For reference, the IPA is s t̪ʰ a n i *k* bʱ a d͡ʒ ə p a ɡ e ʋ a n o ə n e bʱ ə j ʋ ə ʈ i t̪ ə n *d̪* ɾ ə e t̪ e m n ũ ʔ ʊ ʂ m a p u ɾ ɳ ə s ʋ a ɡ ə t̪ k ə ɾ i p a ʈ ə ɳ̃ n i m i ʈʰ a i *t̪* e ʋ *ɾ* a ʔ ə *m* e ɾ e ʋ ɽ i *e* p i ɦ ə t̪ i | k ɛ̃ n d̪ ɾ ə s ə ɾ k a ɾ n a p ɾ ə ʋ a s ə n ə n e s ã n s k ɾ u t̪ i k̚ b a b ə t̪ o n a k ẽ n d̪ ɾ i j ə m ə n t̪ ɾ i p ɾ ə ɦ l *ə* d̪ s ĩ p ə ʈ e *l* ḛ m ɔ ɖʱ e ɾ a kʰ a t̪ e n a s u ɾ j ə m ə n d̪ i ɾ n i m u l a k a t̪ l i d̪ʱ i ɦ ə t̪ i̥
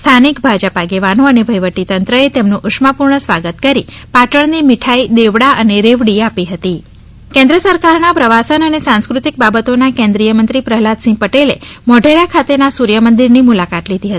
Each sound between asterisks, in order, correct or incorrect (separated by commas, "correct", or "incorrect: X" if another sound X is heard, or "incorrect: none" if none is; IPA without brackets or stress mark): correct, incorrect: t̪, incorrect: d̪, incorrect: ɽ, incorrect: n, incorrect: a, incorrect: a, correct